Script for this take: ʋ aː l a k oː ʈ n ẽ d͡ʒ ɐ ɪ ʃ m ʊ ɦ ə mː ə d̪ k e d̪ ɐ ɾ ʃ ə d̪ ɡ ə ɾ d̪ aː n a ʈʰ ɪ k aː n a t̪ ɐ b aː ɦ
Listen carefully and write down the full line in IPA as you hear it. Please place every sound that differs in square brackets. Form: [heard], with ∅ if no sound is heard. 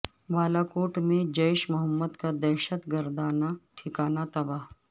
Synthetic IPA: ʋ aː l a k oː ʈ [m] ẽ d͡ʒ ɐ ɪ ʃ m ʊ ɦ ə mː ə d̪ k [a] d̪ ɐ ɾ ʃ ə [t̪] ɡ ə ɾ d̪ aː n a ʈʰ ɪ k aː n a t̪ ɐ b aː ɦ